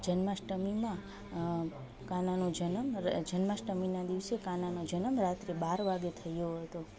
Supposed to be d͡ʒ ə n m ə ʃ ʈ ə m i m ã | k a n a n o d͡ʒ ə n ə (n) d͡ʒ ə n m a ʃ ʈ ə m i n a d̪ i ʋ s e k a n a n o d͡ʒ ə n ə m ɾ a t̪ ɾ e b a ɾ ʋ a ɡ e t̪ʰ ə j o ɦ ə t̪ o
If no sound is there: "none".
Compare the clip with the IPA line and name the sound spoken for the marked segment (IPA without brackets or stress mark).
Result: m